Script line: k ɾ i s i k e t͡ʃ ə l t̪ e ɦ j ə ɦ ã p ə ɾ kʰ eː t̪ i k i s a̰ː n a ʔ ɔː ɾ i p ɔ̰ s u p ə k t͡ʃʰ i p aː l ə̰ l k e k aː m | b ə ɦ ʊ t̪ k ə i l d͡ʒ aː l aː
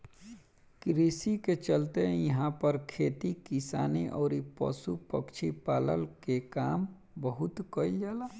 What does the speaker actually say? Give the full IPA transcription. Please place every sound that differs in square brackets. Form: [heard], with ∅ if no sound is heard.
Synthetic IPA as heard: k ɾ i s i k e t͡ʃ ə l t̪ e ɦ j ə ɦ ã p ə ɾ kʰ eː t̪ i k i s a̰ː n [i] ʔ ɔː ɾ i p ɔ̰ s u p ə k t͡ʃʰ i p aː l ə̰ l k e k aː m | b ə ɦ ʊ t̪ k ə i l d͡ʒ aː l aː